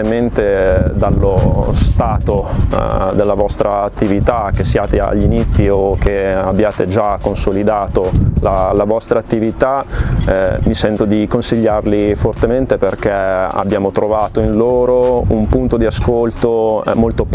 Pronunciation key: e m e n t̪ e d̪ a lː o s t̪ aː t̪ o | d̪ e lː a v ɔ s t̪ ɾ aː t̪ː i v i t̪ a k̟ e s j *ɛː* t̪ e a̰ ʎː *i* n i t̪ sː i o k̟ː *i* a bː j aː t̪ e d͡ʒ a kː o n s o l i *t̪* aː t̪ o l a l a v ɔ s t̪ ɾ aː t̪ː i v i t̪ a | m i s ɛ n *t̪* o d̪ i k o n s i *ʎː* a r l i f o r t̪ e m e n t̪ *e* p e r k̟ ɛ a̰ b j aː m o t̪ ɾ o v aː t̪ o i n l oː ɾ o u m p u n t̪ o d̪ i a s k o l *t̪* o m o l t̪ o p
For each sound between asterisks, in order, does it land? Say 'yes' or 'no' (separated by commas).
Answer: no, yes, no, no, yes, yes, yes, yes